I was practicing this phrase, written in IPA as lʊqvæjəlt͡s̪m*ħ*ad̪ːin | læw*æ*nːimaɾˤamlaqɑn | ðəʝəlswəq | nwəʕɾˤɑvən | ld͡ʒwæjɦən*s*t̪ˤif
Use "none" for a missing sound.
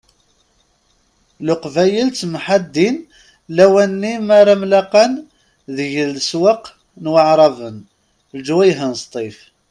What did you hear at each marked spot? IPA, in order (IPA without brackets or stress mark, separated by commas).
ħ, æ, s